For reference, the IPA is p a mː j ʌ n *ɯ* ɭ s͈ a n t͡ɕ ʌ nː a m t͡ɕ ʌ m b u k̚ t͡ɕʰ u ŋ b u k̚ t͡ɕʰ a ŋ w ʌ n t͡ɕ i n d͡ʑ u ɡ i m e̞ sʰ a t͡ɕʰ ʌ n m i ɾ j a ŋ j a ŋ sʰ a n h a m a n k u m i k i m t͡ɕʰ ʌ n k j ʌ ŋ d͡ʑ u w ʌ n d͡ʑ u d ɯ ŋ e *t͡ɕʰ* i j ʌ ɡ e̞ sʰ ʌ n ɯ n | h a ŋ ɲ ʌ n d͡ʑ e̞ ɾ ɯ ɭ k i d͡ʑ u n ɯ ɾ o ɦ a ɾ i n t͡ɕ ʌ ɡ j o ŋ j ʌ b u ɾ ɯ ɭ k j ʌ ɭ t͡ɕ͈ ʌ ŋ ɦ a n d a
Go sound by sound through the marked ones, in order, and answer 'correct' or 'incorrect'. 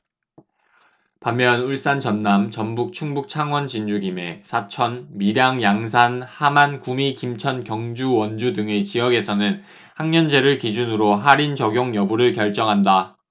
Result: incorrect, incorrect

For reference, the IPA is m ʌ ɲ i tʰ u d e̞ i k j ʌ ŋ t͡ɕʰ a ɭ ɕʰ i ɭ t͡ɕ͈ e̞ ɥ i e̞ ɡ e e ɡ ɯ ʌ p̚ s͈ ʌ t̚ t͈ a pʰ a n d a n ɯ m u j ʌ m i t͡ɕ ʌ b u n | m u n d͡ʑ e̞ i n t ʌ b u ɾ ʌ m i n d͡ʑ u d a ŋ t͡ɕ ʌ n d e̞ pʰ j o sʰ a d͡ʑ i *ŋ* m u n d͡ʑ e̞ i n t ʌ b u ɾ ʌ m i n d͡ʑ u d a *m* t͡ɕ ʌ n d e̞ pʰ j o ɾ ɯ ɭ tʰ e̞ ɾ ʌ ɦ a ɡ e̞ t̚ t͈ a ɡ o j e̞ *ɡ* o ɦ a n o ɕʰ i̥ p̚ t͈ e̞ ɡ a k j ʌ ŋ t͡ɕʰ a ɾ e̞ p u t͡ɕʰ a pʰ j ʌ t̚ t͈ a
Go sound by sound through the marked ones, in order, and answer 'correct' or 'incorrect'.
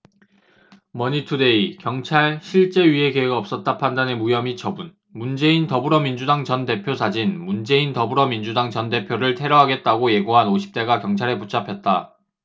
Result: incorrect, incorrect, correct

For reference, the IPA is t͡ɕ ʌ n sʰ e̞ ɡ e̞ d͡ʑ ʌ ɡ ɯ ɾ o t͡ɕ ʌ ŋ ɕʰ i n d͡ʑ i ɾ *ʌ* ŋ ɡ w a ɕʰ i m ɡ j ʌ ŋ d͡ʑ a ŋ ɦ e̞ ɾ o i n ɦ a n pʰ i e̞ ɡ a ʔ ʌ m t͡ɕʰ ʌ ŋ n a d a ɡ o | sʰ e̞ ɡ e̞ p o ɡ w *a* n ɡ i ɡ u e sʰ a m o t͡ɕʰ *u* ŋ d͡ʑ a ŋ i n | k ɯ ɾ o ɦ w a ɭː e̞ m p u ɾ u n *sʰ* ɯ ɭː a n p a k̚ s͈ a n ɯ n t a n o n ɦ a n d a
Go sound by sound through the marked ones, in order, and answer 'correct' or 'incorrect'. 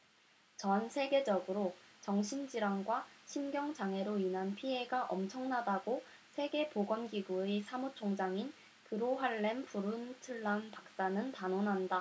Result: incorrect, incorrect, incorrect, incorrect

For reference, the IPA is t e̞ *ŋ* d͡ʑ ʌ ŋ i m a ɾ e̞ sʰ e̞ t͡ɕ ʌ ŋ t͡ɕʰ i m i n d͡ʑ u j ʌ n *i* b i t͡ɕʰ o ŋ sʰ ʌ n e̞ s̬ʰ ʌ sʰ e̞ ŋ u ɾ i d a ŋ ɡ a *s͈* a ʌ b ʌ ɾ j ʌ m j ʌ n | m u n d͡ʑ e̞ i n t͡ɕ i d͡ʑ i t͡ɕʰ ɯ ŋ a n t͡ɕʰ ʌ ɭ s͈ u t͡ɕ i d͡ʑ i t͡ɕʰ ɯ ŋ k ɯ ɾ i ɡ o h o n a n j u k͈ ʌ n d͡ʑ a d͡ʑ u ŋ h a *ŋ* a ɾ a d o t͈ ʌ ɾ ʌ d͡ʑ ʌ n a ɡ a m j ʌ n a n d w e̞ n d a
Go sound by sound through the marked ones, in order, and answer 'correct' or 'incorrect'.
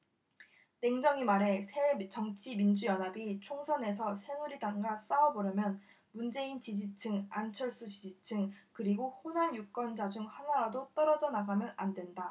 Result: correct, incorrect, correct, incorrect

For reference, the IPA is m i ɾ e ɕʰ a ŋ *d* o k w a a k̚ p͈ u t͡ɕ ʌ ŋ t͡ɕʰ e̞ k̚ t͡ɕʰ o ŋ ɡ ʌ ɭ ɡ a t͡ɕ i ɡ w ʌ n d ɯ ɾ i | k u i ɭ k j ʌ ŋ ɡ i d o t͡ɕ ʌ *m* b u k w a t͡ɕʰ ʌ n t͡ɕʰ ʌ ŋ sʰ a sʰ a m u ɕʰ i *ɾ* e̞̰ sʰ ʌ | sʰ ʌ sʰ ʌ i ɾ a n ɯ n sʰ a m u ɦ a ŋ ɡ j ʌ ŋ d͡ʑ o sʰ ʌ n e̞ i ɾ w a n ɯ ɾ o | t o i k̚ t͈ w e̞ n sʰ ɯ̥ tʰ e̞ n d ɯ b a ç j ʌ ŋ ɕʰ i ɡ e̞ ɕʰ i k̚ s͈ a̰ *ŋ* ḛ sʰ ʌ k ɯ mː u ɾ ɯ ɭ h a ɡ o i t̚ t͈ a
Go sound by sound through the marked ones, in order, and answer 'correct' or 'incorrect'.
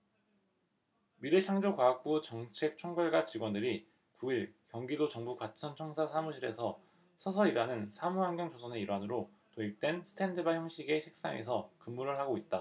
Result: incorrect, incorrect, correct, correct

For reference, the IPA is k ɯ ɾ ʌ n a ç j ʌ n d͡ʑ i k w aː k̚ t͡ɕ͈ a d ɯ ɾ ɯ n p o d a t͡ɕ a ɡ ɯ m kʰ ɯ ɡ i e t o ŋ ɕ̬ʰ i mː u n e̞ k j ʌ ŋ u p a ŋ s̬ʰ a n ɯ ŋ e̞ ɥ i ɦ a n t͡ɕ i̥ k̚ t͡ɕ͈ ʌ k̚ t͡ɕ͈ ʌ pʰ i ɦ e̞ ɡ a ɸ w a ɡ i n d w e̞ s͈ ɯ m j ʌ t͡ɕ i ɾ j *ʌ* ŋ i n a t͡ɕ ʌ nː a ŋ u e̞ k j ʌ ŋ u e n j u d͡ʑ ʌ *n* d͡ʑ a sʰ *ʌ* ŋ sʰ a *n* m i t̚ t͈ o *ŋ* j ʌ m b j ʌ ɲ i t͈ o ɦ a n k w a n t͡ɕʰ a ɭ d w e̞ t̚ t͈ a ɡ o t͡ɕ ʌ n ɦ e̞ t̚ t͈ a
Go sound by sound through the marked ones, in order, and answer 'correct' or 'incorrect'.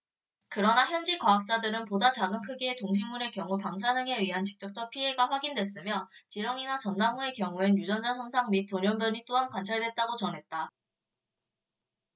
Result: correct, correct, correct, incorrect, incorrect

